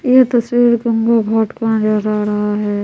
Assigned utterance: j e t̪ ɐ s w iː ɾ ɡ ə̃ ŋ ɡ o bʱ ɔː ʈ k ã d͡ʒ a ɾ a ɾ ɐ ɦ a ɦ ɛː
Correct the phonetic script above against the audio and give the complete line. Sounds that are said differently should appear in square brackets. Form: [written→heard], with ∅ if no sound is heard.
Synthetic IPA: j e t̪ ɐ s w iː ɾ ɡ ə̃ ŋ ɡ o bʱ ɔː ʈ k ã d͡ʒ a ɾ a ɾ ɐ ɦ a ɦ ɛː